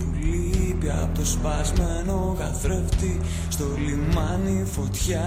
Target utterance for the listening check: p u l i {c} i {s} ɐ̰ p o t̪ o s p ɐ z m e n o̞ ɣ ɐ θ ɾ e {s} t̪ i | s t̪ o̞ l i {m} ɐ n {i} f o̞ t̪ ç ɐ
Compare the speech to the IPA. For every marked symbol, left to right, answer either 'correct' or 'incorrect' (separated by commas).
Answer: incorrect, incorrect, incorrect, correct, correct